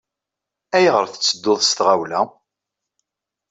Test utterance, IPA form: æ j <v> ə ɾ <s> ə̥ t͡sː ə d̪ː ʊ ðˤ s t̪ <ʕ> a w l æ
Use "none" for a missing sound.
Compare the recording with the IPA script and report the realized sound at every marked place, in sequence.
ʁ, θ, ʁ

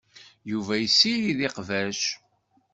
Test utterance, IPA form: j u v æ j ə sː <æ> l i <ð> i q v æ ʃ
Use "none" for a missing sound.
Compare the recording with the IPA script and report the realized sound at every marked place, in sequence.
i, ð

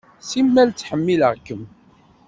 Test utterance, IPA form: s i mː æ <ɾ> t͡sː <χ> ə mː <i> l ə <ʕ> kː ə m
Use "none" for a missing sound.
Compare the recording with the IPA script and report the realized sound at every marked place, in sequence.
l, ħ, i, ʁ

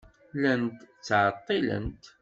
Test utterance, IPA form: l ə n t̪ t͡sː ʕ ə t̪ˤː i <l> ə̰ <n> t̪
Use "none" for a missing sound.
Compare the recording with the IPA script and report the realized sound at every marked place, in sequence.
l, n

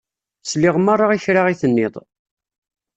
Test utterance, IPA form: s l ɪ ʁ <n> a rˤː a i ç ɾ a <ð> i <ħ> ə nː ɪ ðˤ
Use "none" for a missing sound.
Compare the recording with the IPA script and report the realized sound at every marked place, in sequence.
m, ʁ, θ

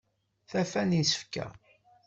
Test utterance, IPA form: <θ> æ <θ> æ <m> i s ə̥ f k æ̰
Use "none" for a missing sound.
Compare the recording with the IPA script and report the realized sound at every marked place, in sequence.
θ, f, n

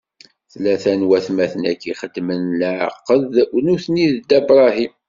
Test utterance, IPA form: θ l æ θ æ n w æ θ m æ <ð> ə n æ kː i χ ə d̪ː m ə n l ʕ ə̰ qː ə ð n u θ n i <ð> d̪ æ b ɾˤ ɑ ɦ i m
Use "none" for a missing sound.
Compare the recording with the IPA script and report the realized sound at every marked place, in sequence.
θ, ð

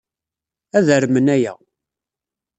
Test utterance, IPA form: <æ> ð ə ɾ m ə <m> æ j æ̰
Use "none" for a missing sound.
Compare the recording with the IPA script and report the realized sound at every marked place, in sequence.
æ, n

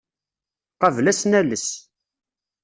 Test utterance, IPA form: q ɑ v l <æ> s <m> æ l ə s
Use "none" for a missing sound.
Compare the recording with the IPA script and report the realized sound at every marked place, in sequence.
æ, n

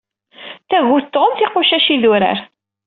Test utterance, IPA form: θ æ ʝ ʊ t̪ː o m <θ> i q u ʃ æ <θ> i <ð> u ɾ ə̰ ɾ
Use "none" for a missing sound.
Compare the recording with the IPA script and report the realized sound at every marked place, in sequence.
θ, ʃ, ð

